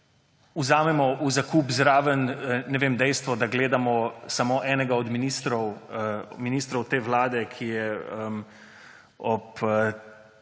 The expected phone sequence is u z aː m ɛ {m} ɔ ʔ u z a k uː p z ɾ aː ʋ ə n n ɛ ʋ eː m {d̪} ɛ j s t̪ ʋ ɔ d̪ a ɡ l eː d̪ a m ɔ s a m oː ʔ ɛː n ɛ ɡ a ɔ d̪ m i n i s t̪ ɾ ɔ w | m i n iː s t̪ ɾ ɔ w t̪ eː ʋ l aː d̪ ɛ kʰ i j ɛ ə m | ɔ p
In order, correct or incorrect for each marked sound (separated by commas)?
correct, correct